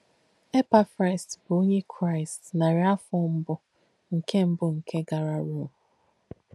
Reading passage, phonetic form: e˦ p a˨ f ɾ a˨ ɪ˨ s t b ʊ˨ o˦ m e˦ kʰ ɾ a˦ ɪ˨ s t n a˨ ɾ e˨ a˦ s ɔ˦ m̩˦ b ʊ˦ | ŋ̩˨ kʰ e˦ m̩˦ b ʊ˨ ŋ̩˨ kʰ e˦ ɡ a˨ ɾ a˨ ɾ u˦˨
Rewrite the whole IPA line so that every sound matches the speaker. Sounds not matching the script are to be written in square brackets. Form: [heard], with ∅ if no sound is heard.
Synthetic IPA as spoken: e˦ p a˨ f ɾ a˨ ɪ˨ s t b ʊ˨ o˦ [ɲ] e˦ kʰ ɾ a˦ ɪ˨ s t n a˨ ɾ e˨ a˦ [f] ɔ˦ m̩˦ b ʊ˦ | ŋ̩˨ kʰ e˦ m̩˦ b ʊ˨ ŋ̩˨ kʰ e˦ ɡ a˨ ɾ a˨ ɾ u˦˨